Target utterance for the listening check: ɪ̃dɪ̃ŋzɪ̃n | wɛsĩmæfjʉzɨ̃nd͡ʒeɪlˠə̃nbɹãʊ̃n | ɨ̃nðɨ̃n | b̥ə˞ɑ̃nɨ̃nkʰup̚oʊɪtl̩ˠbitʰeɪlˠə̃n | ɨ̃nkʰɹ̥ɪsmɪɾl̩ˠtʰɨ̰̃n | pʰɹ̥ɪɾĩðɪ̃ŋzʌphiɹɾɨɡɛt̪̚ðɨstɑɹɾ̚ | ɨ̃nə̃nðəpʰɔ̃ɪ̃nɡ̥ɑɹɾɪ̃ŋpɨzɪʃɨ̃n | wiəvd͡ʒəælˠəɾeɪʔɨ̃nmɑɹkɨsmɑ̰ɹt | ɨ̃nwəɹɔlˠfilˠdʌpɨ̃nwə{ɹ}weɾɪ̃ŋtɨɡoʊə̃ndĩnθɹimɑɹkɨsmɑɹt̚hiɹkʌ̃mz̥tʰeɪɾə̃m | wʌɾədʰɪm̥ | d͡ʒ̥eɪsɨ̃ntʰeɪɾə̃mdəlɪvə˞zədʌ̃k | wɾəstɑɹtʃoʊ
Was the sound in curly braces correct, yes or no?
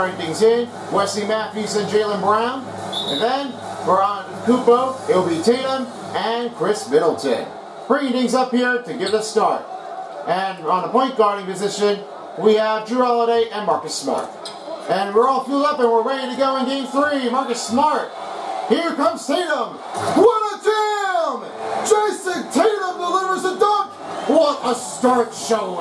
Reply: yes